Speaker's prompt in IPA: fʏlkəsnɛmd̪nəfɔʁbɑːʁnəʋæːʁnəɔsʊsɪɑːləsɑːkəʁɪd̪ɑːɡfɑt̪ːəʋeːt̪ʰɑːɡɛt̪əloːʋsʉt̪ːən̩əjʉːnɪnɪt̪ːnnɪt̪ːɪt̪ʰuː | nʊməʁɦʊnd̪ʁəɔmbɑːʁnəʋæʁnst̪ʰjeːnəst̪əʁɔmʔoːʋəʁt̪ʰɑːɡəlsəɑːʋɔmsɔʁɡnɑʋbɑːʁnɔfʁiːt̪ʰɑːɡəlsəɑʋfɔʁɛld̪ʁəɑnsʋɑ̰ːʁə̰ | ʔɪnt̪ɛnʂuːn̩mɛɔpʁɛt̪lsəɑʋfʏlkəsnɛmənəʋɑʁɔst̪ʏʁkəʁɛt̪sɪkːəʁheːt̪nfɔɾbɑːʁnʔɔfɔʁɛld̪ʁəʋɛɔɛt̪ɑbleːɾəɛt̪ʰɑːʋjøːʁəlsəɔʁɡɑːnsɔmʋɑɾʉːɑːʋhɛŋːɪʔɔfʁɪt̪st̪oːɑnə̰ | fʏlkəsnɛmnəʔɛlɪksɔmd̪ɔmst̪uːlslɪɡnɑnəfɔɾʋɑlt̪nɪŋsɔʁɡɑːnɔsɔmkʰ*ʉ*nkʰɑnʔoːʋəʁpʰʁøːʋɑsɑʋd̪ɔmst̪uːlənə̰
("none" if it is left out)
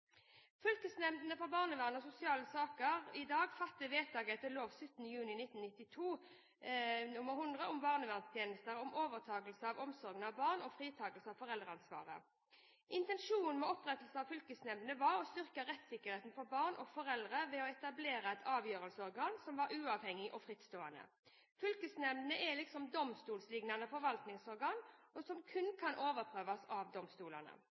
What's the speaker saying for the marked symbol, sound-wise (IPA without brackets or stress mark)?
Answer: ʉ